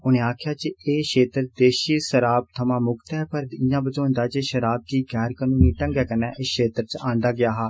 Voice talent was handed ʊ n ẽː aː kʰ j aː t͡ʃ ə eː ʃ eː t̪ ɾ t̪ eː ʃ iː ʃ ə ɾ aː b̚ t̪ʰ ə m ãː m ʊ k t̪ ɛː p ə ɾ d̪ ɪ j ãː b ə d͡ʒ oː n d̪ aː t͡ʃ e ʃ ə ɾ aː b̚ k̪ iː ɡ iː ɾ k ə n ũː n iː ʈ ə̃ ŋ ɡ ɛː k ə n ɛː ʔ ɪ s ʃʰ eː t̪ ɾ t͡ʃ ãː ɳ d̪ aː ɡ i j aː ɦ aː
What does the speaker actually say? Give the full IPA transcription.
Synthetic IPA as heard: ʊ n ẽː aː kʰ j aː t͡ʃ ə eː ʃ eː t̪ ɾ d̪ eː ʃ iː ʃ ə ɾ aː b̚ t̪ʰ ə m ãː m ʊ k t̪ ɛː p ə ɾ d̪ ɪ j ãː b ə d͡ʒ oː n d̪ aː t͡ʃ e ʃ ə ɾ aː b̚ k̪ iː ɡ ɛː ɾ k ə n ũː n iː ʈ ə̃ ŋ ɡ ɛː k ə n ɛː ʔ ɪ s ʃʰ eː t̪ ɾ t͡ʃ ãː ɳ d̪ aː ɡ ɪ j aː ɦ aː